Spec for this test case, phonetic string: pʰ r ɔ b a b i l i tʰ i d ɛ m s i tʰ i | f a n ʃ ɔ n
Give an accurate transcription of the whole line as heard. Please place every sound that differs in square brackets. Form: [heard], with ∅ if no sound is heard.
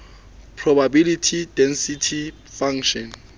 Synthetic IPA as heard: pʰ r ɔ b a b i l i tʰ i d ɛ [n] s i tʰ i | f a [ŋ] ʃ ɔ n

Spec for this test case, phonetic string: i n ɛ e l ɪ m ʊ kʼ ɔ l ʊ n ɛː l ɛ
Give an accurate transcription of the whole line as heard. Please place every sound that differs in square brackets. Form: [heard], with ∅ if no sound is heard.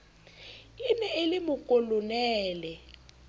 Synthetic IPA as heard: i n ɛ e l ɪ m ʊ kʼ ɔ l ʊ n ɛː l ɛ

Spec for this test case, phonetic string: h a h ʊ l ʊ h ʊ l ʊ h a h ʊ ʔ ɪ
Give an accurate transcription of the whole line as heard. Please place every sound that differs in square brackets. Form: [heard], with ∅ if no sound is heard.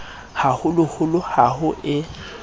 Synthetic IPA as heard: h a h ʊ l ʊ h ʊ l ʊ h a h ʊ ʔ ɪ

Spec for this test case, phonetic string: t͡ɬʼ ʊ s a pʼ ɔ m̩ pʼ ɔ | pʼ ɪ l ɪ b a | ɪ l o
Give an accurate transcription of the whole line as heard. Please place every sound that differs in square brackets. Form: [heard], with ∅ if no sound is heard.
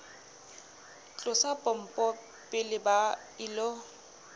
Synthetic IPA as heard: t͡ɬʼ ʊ s a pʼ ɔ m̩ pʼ ɔ | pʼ ɪ l ɪ b a | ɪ l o

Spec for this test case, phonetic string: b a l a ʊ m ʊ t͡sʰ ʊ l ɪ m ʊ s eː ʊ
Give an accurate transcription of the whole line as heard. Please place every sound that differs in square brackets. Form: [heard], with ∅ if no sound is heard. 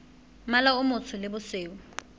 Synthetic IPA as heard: [m] a l a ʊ m ʊ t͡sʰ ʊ l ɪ [b] ʊ s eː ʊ

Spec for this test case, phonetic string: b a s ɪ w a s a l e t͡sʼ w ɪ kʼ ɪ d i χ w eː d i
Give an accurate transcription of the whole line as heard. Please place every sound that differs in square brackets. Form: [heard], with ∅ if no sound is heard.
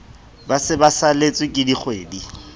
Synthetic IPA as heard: b a s ɪ [b] a s a l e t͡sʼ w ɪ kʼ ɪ d i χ w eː d i

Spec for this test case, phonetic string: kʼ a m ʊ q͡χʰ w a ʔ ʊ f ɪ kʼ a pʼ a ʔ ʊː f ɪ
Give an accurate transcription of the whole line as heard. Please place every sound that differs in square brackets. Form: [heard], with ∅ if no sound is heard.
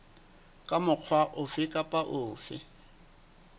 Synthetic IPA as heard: kʼ a m ʊ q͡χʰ w a ʔ ʊ f ɪ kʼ a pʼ a ʔ ʊː f ɪ

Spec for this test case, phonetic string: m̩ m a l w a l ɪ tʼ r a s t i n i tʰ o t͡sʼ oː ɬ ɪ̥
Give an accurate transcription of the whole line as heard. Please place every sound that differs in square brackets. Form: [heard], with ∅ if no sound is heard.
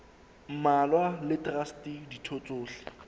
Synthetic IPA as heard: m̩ m a l w a l ɪ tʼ r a s t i [d] i tʰ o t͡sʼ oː ɬ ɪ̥

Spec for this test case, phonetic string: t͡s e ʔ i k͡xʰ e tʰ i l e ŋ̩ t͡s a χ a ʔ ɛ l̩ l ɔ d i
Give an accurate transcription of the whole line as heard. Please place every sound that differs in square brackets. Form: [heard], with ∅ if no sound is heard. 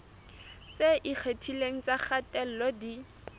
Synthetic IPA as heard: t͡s e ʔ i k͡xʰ e tʰ i l e ŋ̩ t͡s a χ a [t] ɛ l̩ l ɔ d i

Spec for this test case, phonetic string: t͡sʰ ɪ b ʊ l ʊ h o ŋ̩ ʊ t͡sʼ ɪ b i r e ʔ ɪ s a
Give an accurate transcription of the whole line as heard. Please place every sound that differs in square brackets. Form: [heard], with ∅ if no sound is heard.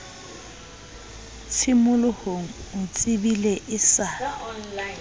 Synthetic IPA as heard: t͡sʰ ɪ [m] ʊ l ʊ h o ŋ̩ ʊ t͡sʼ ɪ b i [l] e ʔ ɪ s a

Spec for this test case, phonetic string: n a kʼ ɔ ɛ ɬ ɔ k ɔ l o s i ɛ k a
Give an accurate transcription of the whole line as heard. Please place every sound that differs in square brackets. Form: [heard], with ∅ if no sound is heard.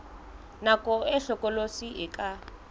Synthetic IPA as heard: n a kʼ ɔ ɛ ɬ ɔ k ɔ l o s i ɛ k a

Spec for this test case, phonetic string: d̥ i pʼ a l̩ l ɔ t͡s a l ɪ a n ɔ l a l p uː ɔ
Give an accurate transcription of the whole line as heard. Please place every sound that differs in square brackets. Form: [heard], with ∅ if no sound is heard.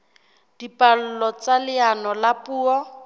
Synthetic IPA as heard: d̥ i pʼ a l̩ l ɔ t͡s a l ɪ a n ɔ l a [∅] p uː ɔ

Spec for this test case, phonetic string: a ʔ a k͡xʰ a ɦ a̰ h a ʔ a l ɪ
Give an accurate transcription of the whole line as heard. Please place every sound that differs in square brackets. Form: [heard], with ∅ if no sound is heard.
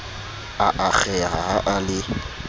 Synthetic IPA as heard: a ʔ a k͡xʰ [ɛ] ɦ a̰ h a ʔ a l ɪ

